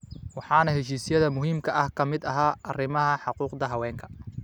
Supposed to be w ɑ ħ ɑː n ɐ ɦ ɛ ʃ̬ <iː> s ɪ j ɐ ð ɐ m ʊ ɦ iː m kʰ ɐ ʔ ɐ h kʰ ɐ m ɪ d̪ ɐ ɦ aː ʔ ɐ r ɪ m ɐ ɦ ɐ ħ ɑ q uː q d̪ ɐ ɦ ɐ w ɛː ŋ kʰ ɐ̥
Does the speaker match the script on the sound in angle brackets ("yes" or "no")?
yes